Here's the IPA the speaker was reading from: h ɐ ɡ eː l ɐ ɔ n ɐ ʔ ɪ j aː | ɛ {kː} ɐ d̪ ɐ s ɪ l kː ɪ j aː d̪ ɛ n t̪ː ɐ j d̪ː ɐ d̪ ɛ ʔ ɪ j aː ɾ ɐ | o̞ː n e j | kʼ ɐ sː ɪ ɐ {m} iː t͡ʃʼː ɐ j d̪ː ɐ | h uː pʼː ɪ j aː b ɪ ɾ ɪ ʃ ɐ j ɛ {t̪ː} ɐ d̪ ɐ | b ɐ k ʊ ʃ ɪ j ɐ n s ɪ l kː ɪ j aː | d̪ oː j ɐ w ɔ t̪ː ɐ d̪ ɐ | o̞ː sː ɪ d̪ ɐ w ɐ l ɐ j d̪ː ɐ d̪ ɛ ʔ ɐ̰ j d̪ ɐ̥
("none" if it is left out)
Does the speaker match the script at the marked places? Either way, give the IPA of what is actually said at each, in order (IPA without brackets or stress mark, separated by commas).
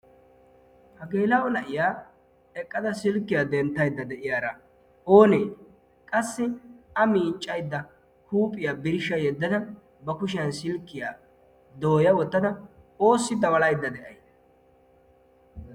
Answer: kʼː, m, d̪ː